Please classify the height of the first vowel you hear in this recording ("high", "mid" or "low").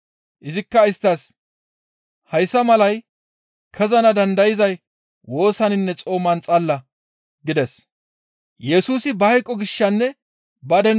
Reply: high